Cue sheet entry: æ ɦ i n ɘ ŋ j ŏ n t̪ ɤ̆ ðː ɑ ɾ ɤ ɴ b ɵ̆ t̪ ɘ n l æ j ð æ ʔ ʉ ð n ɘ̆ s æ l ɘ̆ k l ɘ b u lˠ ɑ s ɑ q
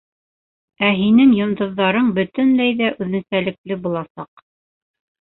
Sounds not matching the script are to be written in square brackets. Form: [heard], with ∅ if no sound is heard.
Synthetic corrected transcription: æ ɦ i n ɘ ŋ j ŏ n [d̪] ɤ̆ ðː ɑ ɾ ɤ ɴ b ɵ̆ t̪ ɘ n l æ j ð æ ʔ ʉ ð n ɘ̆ s æ l ɘ̆ k l ɘ b u lˠ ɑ s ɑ q